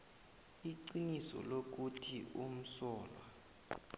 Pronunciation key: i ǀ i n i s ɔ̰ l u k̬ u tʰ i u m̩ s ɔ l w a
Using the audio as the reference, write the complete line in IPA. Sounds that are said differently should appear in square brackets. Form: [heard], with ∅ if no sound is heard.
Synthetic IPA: i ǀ i n i s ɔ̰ l [o] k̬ u tʰ i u m̩ s [ɔː] l w a